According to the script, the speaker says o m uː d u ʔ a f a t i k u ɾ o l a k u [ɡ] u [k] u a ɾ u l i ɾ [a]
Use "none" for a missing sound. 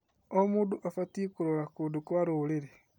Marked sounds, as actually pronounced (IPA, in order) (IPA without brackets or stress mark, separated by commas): d, k, e